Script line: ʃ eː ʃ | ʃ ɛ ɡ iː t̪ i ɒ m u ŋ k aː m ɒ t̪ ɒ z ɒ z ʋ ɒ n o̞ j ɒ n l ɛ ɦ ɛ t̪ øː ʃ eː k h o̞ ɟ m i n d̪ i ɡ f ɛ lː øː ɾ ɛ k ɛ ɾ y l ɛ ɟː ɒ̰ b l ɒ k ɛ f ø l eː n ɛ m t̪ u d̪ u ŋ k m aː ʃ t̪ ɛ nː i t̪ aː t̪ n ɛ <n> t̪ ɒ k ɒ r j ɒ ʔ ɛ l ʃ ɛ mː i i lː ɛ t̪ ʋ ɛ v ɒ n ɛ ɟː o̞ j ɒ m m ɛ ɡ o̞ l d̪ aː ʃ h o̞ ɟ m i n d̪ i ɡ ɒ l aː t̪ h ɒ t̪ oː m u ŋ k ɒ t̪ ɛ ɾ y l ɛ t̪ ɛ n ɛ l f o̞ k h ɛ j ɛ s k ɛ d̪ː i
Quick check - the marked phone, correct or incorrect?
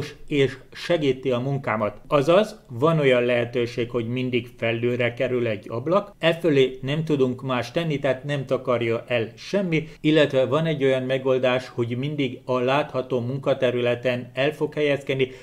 incorrect